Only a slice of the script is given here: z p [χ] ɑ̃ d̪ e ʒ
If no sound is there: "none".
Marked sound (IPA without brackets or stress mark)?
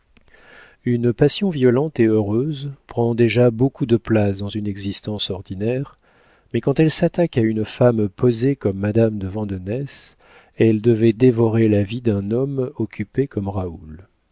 χ